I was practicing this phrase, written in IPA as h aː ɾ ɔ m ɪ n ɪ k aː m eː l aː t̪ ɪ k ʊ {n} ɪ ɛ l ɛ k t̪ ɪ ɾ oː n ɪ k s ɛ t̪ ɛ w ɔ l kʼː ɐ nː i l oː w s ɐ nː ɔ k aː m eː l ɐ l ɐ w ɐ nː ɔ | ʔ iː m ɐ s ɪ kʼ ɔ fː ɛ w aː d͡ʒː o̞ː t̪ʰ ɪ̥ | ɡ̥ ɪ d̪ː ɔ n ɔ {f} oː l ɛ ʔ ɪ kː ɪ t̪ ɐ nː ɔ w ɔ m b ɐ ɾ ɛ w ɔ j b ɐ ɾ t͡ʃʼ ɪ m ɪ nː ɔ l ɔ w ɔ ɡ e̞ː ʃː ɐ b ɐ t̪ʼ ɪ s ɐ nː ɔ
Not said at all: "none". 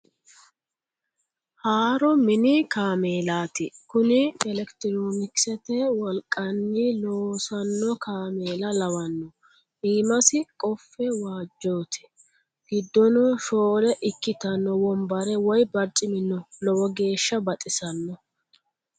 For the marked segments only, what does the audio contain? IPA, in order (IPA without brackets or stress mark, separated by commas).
n, ʃ